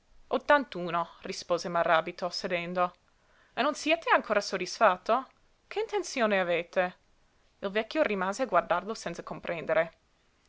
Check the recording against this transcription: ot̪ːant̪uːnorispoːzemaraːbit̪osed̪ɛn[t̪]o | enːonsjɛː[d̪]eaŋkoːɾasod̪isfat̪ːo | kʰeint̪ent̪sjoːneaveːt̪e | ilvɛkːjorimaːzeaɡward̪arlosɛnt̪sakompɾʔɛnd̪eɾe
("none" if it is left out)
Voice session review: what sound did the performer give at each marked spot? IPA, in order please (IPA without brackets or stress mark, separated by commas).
d̪, t̪